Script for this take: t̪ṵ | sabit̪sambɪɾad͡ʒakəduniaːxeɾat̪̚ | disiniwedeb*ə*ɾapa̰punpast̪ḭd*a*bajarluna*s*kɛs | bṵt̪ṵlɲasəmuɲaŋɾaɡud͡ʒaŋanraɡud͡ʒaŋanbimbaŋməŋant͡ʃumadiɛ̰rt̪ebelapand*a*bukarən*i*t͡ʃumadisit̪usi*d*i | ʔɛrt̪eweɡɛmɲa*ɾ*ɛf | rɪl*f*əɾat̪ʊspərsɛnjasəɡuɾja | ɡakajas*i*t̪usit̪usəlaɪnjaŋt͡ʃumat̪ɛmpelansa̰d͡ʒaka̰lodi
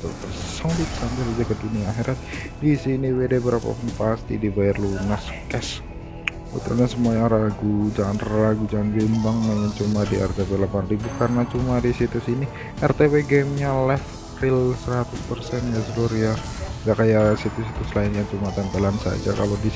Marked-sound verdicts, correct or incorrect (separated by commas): correct, incorrect, correct, incorrect, incorrect, incorrect, incorrect, incorrect, correct